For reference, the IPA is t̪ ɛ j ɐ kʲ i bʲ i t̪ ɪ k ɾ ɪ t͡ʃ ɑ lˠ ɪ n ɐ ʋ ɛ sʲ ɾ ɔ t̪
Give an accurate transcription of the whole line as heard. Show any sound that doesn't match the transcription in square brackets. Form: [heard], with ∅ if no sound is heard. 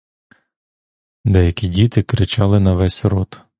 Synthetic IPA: [d̪] ɛ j ɐ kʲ i [dʲ] i t̪ ɪ k ɾ ɪ t͡ʃ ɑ lˠ ɪ n ɐ ʋ ɛ sʲ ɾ ɔ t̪